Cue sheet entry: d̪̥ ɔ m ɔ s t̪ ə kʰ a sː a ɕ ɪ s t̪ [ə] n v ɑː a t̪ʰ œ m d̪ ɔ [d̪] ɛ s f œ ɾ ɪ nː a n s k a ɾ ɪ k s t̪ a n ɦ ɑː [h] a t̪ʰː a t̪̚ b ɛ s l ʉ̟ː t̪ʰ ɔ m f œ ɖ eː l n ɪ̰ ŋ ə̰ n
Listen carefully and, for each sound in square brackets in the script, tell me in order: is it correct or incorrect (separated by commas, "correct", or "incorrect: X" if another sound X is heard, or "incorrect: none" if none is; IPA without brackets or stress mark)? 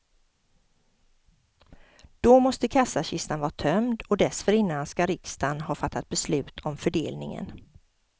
incorrect: a, correct, incorrect: f